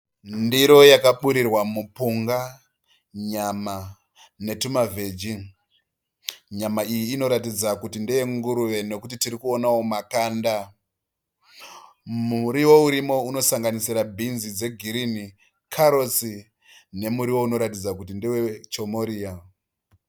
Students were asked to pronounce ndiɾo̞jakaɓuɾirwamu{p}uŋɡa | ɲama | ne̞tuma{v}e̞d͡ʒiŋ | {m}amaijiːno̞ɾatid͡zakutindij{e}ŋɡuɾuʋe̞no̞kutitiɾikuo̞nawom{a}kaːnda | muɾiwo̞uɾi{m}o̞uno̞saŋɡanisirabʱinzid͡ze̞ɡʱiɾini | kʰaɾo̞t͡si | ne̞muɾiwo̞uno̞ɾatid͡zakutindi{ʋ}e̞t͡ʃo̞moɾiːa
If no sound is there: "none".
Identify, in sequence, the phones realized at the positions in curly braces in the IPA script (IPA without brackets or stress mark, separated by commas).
p, v, ɲ, e, a, m, w